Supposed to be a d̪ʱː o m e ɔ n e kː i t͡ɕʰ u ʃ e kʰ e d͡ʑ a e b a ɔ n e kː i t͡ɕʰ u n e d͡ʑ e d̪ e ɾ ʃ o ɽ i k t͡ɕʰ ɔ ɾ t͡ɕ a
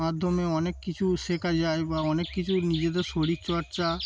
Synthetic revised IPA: a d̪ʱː o m e ɔ n e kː i t͡ɕʰ u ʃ e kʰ a d͡ʑ a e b a ɔ n e kː i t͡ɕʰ u n i d͡ʑ e d̪ e ɾ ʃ o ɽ i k t͡ɕ ɔ ɾ t͡ɕ a